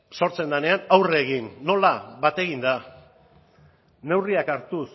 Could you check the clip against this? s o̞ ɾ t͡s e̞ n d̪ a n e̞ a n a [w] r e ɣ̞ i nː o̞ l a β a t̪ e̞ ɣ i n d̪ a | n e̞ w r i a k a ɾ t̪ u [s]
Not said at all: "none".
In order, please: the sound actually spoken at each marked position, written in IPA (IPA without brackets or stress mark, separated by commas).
w, s